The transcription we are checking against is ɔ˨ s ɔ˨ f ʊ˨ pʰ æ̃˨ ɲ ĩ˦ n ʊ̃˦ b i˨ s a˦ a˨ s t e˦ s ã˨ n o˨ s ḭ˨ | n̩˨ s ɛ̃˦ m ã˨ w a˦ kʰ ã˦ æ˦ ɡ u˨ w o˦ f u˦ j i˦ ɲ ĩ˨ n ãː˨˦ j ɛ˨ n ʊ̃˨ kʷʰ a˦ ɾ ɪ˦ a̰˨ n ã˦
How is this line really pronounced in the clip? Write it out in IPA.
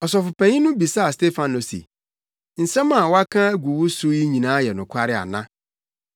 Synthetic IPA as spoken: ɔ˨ s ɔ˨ f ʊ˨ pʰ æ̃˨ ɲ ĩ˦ n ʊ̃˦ b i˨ s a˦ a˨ s t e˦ f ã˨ n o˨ s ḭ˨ | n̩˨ s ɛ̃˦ m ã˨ w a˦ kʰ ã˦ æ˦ ɡ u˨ w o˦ s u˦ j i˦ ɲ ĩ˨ n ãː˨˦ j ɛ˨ n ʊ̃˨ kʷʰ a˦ ɾ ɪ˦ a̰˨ n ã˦